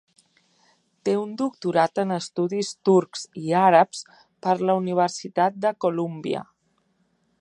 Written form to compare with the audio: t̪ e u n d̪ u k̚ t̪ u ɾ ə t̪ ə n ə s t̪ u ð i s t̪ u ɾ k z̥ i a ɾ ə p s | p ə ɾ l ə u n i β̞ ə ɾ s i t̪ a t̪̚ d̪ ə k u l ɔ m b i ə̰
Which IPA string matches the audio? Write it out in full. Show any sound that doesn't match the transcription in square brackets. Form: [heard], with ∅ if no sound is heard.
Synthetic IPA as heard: t̪ e u n d̪ u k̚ t̪ u ɾ [a] t̪ ə n ə s t̪ u ð i s t̪ u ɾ k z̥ i a ɾ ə p s | p ə ɾ l ə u n i β̞ ə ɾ s i t̪ a t̪̚ d̪ ə k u l [u] m b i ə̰